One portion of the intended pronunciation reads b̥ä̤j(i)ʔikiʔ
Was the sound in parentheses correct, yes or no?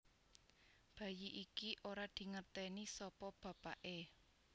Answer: yes